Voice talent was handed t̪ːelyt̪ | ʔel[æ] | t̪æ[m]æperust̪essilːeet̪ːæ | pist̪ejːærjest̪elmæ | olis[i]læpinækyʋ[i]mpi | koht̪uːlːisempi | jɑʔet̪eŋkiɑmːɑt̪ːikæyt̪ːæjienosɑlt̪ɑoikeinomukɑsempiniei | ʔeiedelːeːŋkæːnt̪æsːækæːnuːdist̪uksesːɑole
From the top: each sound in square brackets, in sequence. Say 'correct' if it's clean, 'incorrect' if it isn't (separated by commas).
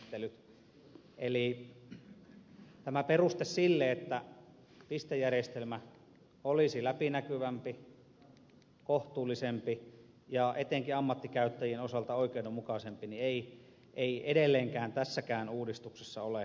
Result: incorrect, correct, correct, incorrect